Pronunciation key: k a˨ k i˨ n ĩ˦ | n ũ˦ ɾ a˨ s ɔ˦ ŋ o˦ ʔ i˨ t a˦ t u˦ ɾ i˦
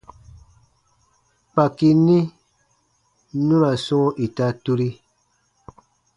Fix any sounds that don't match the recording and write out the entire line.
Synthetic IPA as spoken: k͡p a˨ k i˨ n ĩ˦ | n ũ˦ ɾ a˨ s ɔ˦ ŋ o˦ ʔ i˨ t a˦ t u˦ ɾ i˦